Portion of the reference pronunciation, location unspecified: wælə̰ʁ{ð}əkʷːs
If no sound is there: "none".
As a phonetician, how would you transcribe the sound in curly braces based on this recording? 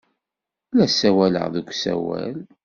ð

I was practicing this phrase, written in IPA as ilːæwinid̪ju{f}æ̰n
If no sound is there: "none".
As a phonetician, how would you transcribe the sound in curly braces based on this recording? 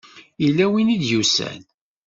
s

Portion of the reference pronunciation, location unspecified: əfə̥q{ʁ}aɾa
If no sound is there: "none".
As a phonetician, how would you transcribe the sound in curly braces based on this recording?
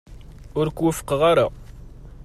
ʁ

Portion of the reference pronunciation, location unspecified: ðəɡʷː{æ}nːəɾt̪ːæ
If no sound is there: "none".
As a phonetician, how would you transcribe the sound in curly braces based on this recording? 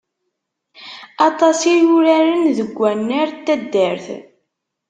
æ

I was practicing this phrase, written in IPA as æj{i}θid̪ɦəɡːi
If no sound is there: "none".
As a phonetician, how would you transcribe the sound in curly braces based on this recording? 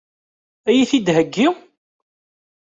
i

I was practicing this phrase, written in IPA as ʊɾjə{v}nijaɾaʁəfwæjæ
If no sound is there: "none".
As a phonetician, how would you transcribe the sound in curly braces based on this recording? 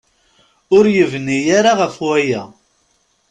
v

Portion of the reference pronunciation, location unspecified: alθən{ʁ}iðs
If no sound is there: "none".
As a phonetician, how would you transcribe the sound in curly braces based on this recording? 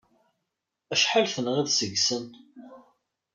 ʁ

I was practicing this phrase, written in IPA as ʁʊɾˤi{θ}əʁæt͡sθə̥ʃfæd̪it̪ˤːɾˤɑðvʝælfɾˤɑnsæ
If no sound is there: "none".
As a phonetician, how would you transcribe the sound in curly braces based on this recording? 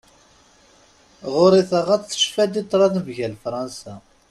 θ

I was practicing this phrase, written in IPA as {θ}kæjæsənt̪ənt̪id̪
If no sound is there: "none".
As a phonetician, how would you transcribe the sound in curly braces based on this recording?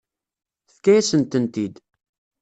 θ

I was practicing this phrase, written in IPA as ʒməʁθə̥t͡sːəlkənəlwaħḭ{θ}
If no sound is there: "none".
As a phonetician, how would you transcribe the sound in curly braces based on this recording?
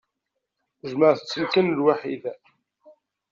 ð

